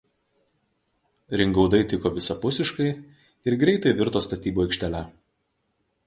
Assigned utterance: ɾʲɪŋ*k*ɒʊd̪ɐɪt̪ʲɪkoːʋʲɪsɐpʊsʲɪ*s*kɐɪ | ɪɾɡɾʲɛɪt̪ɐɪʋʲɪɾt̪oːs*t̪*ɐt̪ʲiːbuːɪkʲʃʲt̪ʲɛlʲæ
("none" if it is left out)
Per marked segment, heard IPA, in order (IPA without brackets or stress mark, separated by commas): ɡ, ʃ, t̪